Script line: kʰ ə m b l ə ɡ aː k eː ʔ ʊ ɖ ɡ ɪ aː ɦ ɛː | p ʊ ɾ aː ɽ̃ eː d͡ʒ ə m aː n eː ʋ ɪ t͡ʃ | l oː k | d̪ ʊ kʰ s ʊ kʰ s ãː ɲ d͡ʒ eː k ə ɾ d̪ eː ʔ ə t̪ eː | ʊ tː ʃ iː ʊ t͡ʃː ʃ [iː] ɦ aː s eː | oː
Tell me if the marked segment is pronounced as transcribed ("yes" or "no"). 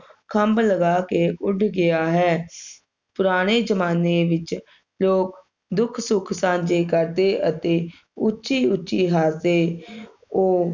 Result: yes